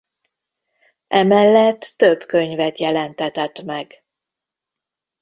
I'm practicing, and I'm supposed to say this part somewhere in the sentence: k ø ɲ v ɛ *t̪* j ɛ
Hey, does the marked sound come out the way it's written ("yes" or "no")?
yes